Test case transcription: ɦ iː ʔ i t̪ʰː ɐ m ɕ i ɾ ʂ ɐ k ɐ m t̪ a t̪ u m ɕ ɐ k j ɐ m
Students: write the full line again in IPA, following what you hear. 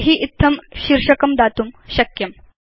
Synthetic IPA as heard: ɦ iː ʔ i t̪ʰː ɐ m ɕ i ɾ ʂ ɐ k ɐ m d̪ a t̪ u m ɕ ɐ k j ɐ m

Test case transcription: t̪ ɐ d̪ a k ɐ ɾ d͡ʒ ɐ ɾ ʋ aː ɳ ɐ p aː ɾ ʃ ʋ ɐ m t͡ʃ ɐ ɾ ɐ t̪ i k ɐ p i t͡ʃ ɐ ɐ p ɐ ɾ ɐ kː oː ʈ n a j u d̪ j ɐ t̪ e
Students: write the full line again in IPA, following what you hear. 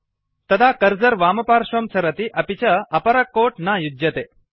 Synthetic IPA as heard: t̪ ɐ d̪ a k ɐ ɾ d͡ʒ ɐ ɾ ʋ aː m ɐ p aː ɾ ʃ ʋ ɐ m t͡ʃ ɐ ɾ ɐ t̪ i ʔ ɐ p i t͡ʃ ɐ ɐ p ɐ ɾ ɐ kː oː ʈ n a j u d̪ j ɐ t̪ e

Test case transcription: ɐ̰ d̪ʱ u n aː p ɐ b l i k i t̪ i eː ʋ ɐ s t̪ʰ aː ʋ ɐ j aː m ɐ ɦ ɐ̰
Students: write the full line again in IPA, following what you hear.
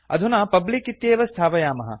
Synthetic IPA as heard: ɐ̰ d̪ʱ u n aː p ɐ b l i k i t̪ j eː ʋ ɐ s t̪ʰ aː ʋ ɐ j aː m ɐ ɦ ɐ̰

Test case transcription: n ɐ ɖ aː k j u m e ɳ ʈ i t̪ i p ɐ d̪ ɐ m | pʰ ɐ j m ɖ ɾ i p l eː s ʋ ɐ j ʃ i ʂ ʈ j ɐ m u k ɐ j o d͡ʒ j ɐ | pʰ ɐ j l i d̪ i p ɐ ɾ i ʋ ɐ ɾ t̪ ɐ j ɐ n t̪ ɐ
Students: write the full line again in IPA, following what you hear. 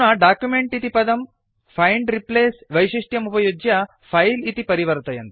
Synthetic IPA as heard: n ɐ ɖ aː k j u m e ɳ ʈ i t̪ i p ɐ d̪ ɐ m | pʰ ɐ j ɳ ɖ ɾ i p l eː s ʋ ɐ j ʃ i ʂ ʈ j ɐ m u p ɐ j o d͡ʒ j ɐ | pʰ ɐ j l i t̪ i p ɐ ɾ i ʋ ɐ ɾ t̪ ɐ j ɐ n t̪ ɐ

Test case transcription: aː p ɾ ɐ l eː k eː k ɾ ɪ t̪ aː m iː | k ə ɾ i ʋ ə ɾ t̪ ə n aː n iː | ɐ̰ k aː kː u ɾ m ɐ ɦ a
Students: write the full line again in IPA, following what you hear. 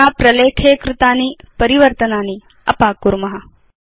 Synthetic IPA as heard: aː p ɾ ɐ l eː kʰ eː k ɾ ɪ t̪ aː n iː | p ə ɾ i ʋ ə ɾ t̪ ə n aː n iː | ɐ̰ p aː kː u ɾ m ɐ ɦ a

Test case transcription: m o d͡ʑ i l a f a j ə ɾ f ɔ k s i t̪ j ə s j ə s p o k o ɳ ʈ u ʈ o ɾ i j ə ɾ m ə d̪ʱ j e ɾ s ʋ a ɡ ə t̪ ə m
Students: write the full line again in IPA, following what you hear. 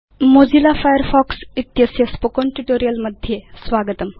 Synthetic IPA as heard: m o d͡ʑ i l a f a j ə ɾ f ɔ k s i t̪ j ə s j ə s p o k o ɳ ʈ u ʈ o ɾ i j ə l m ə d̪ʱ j e s ʋ a ɡ ə t̪ ə m

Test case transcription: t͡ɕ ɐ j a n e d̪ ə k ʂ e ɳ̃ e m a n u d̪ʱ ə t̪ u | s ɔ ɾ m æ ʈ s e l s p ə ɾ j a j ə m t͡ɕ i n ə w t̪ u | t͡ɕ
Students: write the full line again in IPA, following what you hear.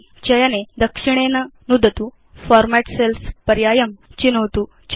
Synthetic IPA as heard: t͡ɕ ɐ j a n e d̪ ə k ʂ i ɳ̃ e n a n u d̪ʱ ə t̪ u | f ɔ ɾ m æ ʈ s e l s p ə ɾ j a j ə m t͡ɕ i n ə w t̪ u | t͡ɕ

